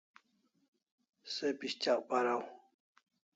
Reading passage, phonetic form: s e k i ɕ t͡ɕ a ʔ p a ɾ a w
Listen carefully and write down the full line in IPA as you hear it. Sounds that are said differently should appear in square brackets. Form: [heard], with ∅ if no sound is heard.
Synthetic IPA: s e [p] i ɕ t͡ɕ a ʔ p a ɾ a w